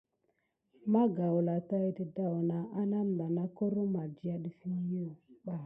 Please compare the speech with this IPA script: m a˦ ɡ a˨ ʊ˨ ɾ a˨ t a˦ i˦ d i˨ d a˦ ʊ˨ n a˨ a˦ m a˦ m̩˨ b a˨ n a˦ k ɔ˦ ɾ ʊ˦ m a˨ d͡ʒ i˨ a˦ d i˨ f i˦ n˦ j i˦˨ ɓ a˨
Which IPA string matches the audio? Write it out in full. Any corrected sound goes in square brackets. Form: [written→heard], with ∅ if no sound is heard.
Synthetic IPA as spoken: m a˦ ɡ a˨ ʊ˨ [ɾ→l] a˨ t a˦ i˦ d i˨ d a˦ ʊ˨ n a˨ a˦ [m→n] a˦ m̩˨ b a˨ n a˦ k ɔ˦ ɾ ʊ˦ m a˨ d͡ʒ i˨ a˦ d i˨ f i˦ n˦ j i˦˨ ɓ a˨